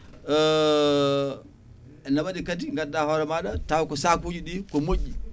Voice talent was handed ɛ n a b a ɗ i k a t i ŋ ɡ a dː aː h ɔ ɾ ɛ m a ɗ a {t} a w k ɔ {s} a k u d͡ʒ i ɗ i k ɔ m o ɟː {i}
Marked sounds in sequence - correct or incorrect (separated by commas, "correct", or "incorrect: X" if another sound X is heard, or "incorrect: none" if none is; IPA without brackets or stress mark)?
correct, correct, correct